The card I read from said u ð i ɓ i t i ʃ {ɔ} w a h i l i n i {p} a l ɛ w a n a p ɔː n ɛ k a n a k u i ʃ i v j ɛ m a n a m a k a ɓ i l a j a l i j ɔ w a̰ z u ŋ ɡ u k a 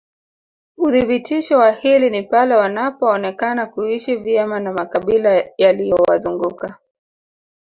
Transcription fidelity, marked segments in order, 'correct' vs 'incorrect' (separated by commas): correct, correct